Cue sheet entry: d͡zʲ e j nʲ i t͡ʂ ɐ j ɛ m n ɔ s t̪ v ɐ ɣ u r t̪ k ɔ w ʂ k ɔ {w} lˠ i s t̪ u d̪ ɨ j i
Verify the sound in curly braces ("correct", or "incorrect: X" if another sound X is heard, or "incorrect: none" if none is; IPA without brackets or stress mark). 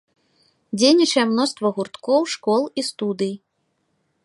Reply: incorrect: none